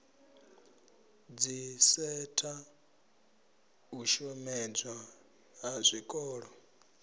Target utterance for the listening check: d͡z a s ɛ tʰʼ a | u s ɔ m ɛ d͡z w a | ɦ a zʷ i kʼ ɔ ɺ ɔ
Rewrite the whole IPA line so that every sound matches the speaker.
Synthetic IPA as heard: d͡z i s ɛ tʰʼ a | u ʃ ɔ m ɛ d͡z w a | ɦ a zʷ i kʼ ɔː ɺ ɔ